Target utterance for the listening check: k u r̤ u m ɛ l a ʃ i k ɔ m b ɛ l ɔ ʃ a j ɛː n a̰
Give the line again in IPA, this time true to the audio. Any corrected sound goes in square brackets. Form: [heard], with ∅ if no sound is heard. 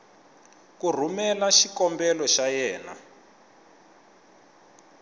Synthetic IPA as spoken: k u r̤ u m ɛ l a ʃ i k ɔ m b ɛ l ɔ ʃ a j ɛː n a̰